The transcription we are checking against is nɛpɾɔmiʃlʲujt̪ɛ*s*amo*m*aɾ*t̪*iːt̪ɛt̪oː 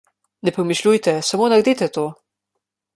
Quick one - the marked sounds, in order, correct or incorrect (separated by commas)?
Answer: correct, incorrect, incorrect